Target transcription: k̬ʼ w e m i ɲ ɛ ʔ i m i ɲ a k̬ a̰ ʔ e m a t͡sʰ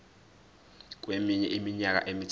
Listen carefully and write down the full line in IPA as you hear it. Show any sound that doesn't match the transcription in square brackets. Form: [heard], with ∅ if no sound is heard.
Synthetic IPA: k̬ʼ w e m i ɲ ɛ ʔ i m i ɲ a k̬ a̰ ʔ e m [i] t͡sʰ